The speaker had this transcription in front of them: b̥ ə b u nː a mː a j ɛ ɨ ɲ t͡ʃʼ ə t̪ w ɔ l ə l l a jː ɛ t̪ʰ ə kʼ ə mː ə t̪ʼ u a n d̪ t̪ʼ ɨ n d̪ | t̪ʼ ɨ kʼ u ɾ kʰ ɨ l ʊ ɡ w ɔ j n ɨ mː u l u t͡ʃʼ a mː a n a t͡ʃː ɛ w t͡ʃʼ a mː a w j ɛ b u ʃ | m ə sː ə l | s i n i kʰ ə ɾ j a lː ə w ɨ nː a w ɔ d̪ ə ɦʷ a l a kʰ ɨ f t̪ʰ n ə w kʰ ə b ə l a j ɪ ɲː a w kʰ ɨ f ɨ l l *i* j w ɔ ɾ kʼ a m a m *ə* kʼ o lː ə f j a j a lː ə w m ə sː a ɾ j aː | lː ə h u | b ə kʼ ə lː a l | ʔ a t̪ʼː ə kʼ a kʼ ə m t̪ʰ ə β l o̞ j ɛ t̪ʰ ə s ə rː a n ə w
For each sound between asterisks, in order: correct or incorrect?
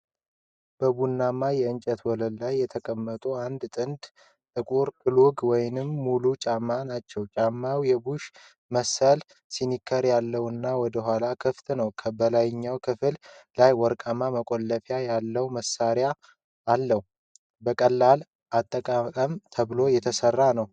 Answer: incorrect: a, correct

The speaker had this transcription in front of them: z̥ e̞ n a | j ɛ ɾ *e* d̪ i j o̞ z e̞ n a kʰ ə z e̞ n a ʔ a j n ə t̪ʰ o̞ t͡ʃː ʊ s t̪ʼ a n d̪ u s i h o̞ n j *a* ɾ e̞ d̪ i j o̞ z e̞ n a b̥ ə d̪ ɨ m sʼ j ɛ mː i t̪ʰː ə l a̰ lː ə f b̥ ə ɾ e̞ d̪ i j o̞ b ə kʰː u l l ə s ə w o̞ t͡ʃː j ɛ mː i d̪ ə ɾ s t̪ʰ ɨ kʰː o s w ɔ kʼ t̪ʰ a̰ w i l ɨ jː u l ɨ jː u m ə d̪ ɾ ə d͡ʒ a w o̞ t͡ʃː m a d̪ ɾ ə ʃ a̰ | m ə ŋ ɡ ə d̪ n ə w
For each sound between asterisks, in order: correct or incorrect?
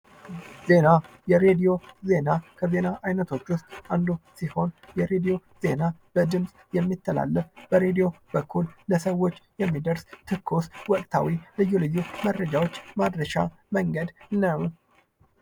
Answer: correct, incorrect: ɛ

